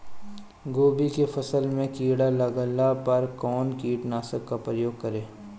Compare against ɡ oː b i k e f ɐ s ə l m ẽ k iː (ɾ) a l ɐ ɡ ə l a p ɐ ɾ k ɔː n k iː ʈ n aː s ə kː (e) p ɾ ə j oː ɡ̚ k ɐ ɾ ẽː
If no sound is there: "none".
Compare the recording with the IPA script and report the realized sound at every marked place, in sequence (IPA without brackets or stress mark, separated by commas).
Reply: ɽ, a